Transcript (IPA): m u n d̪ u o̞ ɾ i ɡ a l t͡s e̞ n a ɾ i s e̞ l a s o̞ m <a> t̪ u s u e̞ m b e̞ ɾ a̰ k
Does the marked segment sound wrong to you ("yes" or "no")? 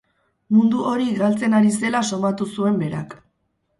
no